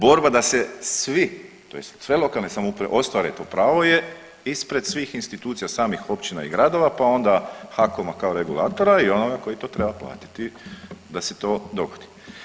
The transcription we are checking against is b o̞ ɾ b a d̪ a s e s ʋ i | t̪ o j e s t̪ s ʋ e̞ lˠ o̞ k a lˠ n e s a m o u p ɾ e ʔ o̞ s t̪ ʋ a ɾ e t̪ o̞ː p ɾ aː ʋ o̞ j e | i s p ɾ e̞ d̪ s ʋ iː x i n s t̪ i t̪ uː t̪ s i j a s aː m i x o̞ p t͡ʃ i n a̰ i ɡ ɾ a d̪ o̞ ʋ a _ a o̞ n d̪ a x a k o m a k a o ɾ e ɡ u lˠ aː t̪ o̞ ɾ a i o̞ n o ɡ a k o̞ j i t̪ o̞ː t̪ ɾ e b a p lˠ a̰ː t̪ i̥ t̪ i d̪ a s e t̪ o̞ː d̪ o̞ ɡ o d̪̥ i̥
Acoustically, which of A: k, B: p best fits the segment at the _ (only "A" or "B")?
B